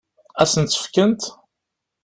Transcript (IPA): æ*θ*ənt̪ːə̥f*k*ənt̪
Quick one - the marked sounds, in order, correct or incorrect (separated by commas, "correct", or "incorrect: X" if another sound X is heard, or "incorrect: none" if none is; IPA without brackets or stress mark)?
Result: incorrect: s, correct